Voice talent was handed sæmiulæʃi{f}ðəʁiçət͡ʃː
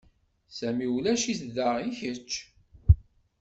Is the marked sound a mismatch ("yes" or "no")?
yes